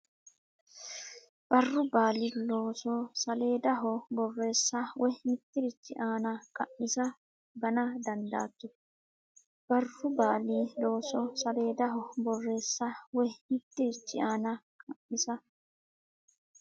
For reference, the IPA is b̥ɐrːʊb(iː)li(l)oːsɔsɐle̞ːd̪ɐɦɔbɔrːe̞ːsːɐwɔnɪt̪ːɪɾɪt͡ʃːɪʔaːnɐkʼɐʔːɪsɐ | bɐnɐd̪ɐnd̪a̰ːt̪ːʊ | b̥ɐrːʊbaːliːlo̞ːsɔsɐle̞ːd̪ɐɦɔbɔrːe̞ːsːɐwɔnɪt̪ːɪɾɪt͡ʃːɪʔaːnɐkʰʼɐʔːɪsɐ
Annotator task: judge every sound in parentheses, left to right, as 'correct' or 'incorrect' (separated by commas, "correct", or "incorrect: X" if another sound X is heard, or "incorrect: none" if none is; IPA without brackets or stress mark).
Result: incorrect: aː, correct